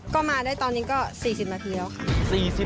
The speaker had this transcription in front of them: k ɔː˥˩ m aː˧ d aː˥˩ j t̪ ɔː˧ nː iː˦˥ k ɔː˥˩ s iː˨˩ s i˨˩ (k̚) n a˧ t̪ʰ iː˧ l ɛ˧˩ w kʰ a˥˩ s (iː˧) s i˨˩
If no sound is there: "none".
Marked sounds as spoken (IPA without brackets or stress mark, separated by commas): p̚, iː˨˩